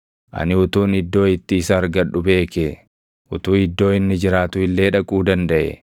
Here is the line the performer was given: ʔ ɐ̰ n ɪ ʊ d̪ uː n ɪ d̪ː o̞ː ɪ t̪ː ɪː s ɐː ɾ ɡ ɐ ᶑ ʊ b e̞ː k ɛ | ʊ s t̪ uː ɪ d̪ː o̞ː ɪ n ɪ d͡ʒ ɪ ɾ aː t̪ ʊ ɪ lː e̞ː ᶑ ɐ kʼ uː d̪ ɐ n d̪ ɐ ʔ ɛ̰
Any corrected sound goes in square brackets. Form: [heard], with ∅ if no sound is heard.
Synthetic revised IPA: ʔ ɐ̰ n ɪ ʊ [t̪] uː n ɪ d̪ː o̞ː ɪ t̪ː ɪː s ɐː ɾ ɡ ɐ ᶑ ʊ b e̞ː k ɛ | ʊ [∅] t̪ uː ɪ d̪ː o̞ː ɪ [nː] ɪ d͡ʒ ɪ ɾ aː t̪ ʊ ɪ lː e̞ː ᶑ ɐ kʼ uː d̪ ɐ n d̪ ɐ ʔ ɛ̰